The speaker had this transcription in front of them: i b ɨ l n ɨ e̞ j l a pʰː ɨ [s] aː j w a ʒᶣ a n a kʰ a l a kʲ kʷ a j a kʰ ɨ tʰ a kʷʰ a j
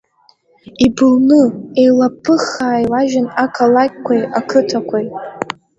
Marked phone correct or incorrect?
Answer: incorrect